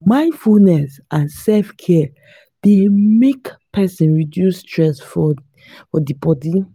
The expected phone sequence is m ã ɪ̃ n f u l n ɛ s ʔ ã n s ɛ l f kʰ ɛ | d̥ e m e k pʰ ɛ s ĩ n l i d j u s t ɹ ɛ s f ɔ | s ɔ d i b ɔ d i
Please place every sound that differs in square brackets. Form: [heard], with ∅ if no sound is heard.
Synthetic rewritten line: m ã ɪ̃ n f u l n ɛ s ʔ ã n s ɛ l f kʰ ɛ | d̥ e m e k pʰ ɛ s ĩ n [ɹ] i d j u s t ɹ ɛ s f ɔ | [f] ɔ d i b ɔ d i

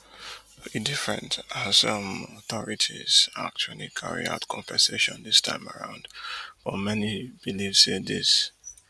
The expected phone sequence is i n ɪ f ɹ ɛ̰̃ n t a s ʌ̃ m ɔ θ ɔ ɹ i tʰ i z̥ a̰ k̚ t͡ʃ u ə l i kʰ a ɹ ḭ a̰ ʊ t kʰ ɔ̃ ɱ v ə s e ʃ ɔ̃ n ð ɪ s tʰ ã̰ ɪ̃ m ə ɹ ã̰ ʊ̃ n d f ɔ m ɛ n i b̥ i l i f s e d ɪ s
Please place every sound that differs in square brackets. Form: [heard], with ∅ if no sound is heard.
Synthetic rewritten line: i [d] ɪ f ɹ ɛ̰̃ n t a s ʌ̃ m ɔ θ ɔ ɹ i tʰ i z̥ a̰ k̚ t͡ʃ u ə l i kʰ a ɹ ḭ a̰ ʊ t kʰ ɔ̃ ɱ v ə s e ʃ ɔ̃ n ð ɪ s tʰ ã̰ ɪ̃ m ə ɹ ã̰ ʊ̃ n d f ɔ m ɛ n i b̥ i l i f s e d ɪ s

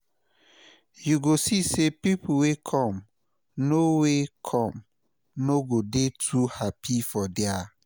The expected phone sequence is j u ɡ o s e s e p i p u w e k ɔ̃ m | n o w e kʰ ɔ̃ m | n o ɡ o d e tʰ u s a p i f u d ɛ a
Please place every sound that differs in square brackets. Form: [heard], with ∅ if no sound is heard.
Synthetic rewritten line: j u ɡ o s [i] s e p i p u w e [kʰ] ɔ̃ m | n o w e kʰ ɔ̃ m | n o ɡ o d e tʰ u [h] a p i f [ɔ] d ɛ a

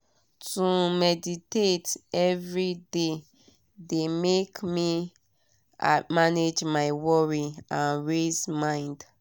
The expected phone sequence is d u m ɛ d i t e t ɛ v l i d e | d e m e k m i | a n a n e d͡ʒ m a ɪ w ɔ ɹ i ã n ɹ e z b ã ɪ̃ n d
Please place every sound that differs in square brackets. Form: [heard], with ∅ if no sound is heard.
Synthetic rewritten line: [t] u m ɛ d i t e t ɛ v [ɹ] i d e | d e m e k m i | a [m] a n e d͡ʒ m a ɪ w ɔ ɹ i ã n ɹ e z [m] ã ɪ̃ n d

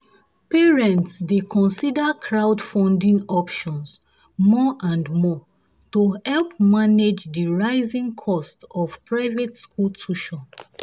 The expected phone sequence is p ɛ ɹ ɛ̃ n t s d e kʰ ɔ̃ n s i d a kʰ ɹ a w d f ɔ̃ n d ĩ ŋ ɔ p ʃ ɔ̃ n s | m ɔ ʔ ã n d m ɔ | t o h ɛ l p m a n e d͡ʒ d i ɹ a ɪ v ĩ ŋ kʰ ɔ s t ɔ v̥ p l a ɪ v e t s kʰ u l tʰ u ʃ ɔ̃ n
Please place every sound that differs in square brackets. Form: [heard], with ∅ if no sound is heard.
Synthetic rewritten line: p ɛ ɹ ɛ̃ n t s d e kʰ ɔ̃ n s i d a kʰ ɹ a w d f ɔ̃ n d ĩ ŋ ɔ p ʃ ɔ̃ n s | m ɔ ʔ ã n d m ɔ | t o h ɛ l p m a n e d͡ʒ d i ɹ a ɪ [z] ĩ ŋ kʰ ɔ s t ɔ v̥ p [ɹ] a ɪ v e t s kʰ u l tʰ u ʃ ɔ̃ n

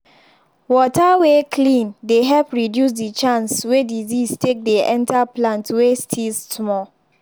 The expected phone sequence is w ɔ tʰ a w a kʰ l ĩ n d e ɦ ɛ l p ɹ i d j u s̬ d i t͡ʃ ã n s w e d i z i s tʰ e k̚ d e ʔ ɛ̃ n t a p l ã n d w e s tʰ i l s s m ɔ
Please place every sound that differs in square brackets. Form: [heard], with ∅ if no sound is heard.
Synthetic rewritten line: w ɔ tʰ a w [e] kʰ l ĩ n d e ɦ ɛ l p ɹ i d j u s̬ d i t͡ʃ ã n s w e d i z i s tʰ e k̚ d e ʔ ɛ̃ n t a p l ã n [t] w e s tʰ i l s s m ɔ

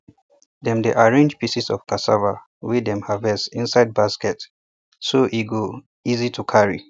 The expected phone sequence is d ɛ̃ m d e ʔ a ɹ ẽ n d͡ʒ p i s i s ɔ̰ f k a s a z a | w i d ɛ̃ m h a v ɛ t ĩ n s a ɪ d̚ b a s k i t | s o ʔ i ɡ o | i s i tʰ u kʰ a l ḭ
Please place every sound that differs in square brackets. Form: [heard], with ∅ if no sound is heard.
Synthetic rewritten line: d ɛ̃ m d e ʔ a ɹ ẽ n d͡ʒ p i s i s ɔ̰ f k a s a [v] a | w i d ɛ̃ m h a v ɛ [s] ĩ n s a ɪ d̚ b a s k [ɛ] t | s o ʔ i ɡ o | i [z] i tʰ u kʰ a [ɹ] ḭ

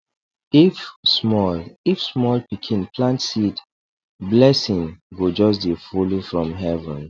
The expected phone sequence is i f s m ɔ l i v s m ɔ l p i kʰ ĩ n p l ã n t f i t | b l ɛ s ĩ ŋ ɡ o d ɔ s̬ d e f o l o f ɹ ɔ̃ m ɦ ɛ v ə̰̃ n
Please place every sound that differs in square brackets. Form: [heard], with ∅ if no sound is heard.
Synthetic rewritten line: i f s m ɔ l i [f] s m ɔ l p i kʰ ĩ n p l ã n t [s] i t | b l ɛ s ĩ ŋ ɡ o [d͡ʒ] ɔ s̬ d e f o l o f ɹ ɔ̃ m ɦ ɛ v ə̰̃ n

